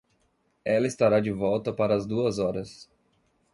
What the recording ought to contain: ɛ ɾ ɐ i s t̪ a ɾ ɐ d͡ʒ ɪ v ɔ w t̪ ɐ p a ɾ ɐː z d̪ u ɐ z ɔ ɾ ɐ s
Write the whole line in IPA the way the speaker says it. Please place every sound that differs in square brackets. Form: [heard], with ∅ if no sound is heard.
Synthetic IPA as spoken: ɛ [l] ɐ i s t̪ a ɾ [a] d͡ʒ ɪ v ɔ w t̪ ɐ p a ɾ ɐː z d̪ u ɐ z ɔ ɾ ɐ s